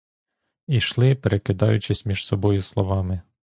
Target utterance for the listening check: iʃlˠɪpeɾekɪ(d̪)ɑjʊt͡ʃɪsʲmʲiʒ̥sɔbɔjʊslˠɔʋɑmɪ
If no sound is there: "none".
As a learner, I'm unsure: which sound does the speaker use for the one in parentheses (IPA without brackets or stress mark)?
d̪